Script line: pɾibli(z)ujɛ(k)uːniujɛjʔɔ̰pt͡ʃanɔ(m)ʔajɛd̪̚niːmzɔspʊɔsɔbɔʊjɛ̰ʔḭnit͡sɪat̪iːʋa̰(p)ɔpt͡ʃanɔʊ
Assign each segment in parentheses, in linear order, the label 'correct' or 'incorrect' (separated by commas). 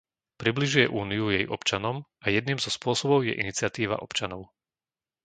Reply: incorrect, incorrect, correct, incorrect